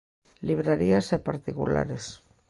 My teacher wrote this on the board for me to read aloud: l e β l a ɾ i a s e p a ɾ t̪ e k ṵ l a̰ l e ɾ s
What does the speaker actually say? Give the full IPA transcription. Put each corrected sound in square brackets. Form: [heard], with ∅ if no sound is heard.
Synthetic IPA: l [i] β [ɾ] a ɾ i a s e p a ɾ t̪ [i] k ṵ l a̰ [ɾ] e [∅] s